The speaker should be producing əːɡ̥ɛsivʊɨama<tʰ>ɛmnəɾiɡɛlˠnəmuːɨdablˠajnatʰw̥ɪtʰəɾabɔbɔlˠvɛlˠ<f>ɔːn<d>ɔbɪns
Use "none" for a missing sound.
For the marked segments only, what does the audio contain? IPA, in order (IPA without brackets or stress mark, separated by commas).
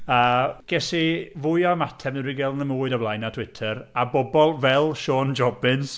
tʰ, ʃ, d͡ʒ